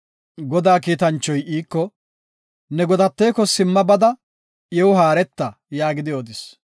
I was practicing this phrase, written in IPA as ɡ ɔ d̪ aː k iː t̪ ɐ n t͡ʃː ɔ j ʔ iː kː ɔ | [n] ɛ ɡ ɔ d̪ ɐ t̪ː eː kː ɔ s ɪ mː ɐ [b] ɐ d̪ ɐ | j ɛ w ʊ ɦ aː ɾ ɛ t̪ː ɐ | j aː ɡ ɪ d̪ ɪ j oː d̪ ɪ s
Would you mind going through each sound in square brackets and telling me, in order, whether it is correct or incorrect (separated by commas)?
correct, correct